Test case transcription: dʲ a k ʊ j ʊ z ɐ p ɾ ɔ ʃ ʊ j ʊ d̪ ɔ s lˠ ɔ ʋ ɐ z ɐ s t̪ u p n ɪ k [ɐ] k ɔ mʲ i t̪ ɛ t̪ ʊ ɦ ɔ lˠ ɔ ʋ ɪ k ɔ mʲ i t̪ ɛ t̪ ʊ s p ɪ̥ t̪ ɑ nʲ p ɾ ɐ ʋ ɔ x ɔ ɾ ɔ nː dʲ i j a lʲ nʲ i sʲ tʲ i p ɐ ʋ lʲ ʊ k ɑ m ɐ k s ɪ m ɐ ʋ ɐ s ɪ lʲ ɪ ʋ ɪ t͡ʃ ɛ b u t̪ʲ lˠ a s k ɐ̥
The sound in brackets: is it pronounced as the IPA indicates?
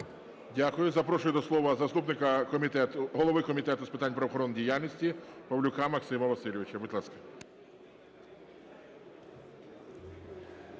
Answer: yes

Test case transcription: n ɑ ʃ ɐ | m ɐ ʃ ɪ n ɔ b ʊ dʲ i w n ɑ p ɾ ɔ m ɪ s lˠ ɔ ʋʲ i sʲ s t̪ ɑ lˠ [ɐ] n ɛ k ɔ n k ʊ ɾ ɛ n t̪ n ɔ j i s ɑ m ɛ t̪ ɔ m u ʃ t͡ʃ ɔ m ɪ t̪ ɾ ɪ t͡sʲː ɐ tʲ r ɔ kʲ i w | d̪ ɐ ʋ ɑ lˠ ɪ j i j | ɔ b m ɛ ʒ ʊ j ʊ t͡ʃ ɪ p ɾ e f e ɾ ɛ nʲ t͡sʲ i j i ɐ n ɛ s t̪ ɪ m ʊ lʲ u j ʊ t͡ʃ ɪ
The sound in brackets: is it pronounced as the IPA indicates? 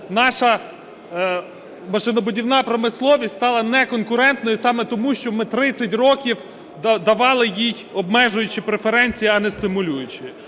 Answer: yes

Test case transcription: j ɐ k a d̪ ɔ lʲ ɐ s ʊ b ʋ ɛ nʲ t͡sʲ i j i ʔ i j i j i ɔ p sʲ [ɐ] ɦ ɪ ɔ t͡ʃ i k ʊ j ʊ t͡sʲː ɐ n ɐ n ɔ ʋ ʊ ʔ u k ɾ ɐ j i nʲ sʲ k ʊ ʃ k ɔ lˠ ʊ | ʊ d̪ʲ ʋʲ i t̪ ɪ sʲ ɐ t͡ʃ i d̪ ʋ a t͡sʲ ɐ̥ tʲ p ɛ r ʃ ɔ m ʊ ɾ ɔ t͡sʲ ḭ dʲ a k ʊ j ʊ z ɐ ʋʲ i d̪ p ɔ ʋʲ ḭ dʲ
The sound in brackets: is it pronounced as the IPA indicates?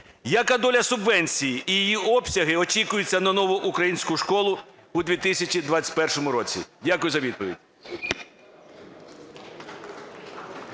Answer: yes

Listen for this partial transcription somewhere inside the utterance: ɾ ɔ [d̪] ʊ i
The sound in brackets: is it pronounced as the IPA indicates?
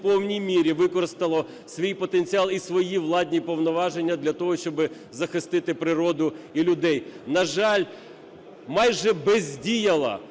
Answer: yes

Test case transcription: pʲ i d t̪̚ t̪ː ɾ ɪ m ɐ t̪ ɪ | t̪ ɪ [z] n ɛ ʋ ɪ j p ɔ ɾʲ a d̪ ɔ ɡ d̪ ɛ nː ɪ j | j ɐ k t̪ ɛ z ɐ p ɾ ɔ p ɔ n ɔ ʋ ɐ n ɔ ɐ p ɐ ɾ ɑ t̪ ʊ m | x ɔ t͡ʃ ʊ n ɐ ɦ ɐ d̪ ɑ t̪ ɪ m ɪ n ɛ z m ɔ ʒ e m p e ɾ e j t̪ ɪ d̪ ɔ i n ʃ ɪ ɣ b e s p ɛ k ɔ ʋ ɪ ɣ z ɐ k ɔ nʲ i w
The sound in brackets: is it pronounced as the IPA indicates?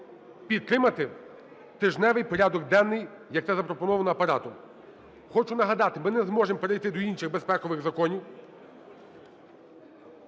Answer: no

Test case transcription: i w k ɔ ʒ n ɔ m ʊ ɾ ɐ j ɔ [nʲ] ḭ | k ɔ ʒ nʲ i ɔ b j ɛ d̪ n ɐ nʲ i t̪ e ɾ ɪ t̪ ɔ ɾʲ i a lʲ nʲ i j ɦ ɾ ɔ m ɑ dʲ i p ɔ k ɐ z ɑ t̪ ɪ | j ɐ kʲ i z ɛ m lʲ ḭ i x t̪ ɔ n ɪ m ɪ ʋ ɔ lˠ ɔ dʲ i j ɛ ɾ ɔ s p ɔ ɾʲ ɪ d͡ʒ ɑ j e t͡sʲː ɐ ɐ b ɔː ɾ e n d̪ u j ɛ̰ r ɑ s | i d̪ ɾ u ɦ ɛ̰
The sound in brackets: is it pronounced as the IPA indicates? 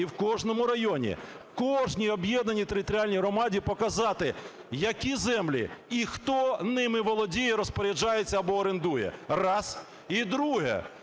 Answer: yes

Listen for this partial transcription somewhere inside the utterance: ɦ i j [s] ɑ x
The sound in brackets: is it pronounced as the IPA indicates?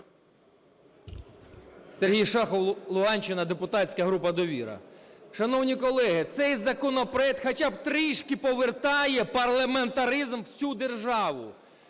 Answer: no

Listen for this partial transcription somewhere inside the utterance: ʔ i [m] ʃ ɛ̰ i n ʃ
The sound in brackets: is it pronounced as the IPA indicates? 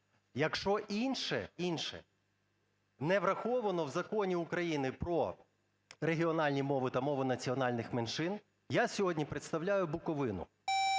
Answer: no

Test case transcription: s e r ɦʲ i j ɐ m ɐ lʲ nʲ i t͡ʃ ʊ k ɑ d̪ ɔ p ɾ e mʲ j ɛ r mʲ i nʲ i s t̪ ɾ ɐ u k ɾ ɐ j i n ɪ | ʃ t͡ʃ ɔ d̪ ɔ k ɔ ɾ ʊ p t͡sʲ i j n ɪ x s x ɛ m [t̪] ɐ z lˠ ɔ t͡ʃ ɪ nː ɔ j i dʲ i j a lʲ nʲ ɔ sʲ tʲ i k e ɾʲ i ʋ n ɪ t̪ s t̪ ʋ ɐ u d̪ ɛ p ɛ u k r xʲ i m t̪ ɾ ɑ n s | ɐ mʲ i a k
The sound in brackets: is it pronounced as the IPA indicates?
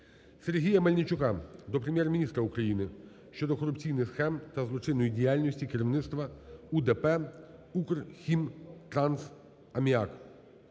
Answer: yes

